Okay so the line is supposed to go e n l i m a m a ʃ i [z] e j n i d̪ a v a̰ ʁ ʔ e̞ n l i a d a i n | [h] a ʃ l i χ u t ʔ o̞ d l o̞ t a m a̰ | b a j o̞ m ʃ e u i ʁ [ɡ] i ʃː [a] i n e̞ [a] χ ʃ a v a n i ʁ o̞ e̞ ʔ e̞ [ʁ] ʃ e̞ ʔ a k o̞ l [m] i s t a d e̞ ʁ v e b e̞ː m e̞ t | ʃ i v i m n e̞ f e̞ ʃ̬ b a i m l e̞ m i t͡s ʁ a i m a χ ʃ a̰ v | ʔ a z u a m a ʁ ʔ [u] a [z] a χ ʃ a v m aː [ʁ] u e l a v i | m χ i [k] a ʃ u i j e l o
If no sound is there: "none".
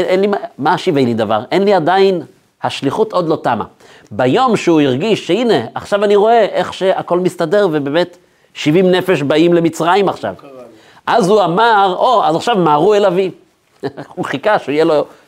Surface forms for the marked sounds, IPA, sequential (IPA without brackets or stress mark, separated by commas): v, h, ɡ, e, a, χ, m, o, z, ʁ, k